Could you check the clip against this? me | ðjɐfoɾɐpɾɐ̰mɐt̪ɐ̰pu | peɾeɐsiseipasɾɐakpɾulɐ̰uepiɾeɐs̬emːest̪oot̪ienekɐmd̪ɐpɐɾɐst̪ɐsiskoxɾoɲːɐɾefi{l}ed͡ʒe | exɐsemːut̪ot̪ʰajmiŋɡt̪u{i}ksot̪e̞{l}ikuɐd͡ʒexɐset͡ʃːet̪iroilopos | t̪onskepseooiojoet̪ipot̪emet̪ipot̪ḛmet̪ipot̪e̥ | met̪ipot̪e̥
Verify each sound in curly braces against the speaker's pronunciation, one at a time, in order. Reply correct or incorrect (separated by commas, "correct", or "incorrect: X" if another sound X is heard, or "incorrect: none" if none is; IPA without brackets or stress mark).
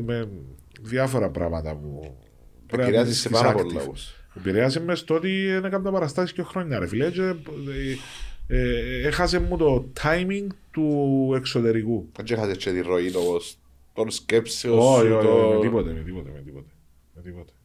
correct, incorrect: e, incorrect: ɾ